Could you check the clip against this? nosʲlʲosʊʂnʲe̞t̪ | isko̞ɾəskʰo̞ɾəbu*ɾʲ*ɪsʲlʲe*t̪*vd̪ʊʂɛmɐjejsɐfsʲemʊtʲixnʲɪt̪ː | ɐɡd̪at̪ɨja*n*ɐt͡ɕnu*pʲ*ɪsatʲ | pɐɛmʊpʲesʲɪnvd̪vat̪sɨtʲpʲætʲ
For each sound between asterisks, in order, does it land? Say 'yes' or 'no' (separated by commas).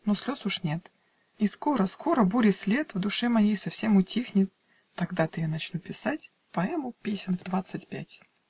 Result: yes, yes, yes, yes